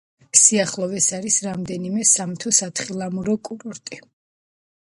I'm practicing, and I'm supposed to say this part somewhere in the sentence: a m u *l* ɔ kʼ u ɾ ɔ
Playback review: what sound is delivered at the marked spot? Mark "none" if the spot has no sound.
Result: ɾ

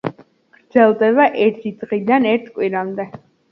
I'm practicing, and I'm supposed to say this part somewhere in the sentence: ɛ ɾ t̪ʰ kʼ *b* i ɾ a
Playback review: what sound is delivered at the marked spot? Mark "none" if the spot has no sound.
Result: w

